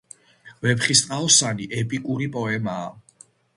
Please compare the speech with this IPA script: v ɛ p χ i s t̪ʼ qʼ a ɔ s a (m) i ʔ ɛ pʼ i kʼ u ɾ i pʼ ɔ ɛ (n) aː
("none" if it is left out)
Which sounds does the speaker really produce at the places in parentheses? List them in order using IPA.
n, m

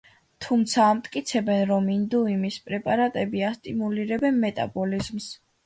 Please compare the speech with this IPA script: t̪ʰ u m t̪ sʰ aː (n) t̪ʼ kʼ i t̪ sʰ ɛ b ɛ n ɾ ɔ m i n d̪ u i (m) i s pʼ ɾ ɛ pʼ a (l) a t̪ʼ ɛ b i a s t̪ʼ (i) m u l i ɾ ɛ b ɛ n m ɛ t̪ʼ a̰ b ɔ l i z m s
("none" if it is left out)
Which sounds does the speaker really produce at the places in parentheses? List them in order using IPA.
m, m, ɾ, i

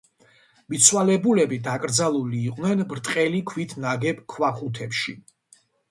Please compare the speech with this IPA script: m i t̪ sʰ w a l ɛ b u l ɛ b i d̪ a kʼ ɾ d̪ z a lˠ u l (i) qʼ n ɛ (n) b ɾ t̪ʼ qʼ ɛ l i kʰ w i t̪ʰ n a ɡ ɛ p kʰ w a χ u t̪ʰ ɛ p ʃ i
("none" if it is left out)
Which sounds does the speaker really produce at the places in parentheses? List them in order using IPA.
iː, n

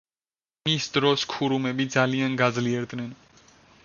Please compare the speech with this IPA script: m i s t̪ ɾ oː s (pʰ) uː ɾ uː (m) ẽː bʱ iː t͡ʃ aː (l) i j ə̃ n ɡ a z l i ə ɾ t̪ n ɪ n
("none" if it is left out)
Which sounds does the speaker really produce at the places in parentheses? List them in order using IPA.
kʰ, m, l

